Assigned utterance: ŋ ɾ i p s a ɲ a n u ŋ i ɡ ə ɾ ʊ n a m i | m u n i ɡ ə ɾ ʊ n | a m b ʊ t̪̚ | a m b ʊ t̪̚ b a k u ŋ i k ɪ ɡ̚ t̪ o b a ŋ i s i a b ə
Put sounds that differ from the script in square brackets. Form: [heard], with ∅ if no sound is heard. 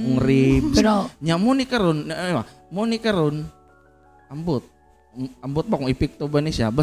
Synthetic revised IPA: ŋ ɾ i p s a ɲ a [m] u [n] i [k] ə ɾ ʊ n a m [a] | m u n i [k] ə ɾ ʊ n | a m b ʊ t̪̚ | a m b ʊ t̪̚ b a k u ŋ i [p] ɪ [k̚] t̪ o b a [n] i s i a b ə